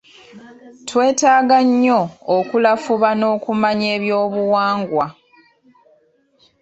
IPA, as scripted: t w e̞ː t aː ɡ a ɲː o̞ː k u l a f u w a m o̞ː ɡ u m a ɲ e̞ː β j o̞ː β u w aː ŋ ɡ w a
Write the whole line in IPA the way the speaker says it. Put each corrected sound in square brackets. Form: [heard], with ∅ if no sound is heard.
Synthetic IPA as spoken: t w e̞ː t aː ɡ a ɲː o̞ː k u l a f u [β] a [n] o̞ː [k] u m a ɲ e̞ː β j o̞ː β u w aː ŋ ɡ w a